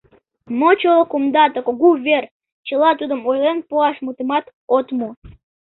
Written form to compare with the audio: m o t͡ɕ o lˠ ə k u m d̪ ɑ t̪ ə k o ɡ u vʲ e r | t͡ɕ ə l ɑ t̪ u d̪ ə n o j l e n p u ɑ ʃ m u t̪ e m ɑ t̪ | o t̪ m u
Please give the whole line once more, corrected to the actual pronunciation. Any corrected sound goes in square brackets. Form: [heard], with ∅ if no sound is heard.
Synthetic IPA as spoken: m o t͡ɕ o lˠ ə k u m d̪ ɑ t̪ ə k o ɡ u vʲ e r | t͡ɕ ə l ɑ t̪ u d̪ ə [m] o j l e n p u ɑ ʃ m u t̪ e m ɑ t̪ | o t̪ m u